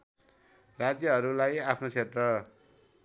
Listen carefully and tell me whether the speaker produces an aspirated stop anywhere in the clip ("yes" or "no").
yes